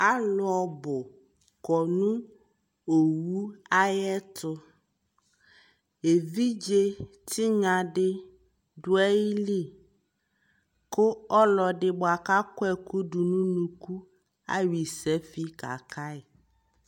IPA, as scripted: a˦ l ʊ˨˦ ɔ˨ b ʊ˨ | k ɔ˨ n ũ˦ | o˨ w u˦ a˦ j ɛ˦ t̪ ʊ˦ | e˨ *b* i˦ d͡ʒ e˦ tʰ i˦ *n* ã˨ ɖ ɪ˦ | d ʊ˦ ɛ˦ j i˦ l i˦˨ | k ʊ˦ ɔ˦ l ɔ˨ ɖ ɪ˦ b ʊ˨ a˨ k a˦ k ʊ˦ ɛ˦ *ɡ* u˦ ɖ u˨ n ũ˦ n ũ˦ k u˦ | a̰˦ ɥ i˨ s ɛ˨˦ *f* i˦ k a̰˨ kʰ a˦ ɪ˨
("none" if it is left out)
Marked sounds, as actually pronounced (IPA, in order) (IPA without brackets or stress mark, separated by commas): v, ɲ, k, f